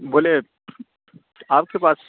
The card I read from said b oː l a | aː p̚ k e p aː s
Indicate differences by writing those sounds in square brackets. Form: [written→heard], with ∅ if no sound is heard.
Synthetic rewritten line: b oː l [a→e] | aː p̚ k e p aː s